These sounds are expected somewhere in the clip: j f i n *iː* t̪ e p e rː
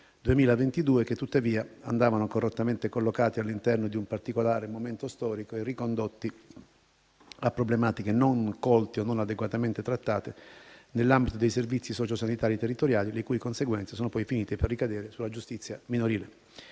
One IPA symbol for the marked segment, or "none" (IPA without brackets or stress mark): iː